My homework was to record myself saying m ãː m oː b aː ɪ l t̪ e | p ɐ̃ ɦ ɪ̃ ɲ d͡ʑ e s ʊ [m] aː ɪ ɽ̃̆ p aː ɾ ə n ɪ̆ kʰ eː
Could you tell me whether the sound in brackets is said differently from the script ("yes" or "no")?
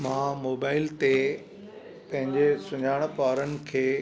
yes